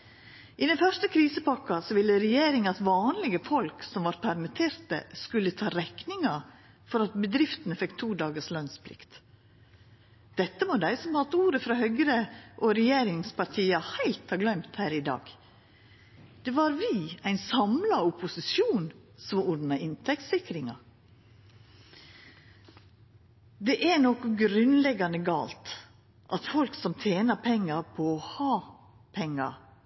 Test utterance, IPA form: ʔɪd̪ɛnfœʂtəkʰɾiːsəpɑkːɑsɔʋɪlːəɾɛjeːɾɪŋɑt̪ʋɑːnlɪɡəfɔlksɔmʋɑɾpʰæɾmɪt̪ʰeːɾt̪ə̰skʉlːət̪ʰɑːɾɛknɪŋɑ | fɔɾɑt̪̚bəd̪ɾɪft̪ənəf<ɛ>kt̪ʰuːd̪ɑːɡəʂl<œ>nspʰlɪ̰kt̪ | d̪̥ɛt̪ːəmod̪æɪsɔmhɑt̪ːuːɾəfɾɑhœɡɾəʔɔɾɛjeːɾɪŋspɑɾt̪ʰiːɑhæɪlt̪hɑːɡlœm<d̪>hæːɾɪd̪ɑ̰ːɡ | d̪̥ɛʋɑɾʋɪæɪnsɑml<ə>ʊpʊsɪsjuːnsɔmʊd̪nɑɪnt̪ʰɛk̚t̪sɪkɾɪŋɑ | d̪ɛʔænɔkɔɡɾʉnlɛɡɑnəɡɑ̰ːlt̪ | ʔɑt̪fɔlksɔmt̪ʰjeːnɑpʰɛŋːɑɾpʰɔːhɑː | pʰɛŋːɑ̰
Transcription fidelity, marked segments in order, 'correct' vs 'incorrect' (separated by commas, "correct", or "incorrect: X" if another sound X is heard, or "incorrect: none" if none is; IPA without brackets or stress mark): correct, correct, incorrect: t̪, incorrect: ɑ